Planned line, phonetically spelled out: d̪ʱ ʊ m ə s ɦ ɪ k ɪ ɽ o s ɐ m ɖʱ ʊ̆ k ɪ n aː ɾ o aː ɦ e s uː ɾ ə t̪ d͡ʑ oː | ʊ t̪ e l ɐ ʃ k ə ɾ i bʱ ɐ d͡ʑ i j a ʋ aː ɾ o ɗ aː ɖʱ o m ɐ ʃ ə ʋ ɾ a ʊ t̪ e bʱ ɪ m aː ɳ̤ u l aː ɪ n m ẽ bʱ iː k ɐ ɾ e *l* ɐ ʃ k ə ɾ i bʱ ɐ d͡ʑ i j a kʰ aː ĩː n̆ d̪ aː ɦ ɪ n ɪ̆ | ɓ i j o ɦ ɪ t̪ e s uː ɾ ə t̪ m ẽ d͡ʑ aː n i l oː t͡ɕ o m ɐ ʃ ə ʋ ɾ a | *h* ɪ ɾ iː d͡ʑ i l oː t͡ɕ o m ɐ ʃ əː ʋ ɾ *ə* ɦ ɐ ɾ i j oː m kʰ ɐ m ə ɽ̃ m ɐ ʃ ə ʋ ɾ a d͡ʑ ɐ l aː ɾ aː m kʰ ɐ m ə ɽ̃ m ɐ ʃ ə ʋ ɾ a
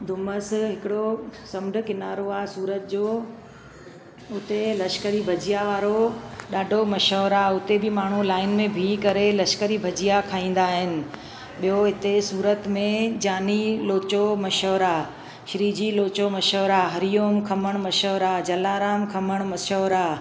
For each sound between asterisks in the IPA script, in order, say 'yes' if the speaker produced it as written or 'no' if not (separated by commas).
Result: yes, no, no